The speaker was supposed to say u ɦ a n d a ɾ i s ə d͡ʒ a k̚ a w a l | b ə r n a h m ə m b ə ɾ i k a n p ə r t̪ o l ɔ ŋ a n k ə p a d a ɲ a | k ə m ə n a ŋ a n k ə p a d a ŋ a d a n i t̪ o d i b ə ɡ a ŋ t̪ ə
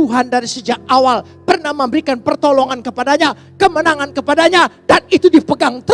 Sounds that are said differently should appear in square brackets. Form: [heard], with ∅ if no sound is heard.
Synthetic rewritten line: u ɦ a n d a ɾ i s ə d͡ʒ a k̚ a w a l | [p] ə r n a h m ə m b ə ɾ i k a n p ə r t̪ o l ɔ ŋ a n k ə p a d a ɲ a | k ə m ə n a ŋ a n k ə p a d a [ɲ] a d a n i t̪ [u] d i [p] ə ɡ a ŋ t̪ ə